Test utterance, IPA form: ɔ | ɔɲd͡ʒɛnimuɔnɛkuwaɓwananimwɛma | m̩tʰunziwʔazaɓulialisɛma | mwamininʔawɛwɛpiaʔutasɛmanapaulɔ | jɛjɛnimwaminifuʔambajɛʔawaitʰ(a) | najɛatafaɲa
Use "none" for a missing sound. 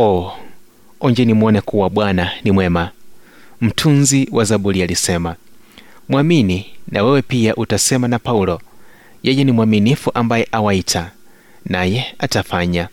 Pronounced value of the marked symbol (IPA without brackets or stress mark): a